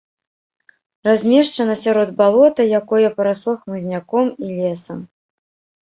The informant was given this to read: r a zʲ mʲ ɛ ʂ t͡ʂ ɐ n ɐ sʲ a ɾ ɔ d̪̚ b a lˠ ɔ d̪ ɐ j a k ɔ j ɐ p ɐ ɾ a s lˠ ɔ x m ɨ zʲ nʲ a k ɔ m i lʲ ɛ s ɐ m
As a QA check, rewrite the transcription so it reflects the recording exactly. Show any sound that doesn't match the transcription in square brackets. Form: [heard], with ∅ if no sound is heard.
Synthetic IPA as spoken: r a zʲ mʲ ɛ ʂ t͡ʂ ɐ n ɐ sʲ a ɾ ɔ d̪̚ b a lˠ ɔ [t̪] ɐ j a k ɔ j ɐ p ɐ ɾ a s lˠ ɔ x m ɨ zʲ nʲ a k ɔ m i lʲ ɛ s ɐ m

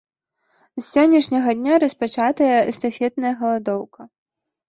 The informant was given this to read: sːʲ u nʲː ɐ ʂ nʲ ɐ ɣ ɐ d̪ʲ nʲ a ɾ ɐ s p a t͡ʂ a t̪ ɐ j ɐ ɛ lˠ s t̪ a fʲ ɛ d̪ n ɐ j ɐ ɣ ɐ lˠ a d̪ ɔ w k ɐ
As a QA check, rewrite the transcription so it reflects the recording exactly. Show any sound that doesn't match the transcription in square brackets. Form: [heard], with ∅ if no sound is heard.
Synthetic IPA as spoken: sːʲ [ɔ] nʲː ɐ ʂ nʲ ɐ ɣ ɐ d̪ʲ nʲ a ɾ ɐ s p a t͡ʂ a t̪ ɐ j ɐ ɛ [∅] s t̪ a fʲ ɛ [t̪] n ɐ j ɐ ɣ ɐ lˠ a d̪ ɔ w k ɐ

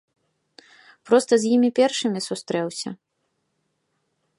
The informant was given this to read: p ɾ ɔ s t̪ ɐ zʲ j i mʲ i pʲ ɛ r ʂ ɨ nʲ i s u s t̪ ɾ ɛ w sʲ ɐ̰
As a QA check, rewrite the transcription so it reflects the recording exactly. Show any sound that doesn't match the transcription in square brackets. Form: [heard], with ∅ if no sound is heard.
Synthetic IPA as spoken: p ɾ ɔ s t̪ ɐ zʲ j i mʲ i pʲ ɛ r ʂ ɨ [mʲ] i s u s t̪ ɾ ɛ w sʲ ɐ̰

